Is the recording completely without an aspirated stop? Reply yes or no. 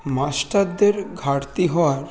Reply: yes